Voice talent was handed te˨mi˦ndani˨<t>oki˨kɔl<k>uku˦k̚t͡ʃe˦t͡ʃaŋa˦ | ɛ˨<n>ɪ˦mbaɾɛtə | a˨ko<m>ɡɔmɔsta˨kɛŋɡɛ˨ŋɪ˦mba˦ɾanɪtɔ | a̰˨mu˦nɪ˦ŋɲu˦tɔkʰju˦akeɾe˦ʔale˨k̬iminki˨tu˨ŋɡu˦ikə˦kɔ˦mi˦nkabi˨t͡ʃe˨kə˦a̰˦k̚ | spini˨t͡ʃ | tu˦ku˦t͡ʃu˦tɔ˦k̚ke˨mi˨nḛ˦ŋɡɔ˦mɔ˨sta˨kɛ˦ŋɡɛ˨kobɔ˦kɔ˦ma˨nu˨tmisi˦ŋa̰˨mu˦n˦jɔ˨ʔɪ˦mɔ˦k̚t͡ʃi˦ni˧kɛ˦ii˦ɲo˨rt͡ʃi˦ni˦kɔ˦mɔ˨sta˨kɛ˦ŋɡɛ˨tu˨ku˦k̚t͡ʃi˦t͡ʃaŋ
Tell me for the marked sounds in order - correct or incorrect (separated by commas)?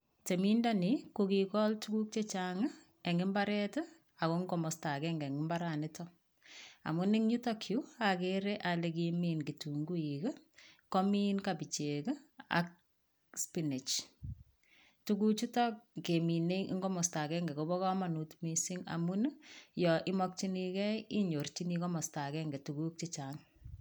incorrect, incorrect, incorrect, incorrect